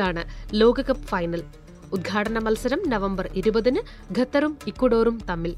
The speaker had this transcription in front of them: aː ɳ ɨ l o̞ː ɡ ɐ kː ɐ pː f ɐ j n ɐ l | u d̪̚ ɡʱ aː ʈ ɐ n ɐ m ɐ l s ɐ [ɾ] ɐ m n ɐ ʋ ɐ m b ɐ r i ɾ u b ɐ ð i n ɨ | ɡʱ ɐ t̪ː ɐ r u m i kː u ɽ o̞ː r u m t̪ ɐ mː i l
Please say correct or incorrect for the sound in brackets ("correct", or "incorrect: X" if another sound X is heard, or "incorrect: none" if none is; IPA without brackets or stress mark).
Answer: correct